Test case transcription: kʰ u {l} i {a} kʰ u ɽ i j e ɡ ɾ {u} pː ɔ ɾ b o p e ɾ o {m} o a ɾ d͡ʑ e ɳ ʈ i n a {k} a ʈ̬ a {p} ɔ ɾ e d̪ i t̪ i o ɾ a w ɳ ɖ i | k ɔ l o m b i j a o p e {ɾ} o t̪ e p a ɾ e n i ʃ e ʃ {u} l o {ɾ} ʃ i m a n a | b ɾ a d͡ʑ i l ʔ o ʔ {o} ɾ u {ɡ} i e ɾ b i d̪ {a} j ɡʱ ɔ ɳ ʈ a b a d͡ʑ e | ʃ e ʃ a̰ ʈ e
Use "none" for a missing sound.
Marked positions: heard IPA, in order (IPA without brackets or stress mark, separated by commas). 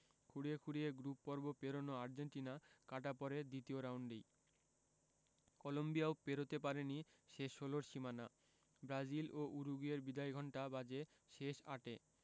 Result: ɽ, e, u, n, k, p, ɾ, o, ɾ, u, ɡ, a